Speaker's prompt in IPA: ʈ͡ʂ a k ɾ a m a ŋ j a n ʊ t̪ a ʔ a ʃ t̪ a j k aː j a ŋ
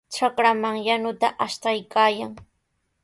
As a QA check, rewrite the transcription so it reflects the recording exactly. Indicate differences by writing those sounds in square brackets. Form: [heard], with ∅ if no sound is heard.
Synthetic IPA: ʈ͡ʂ a k ɾ a m a ŋ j a n ʊ t̪ a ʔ a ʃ t̪ a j k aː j a ŋ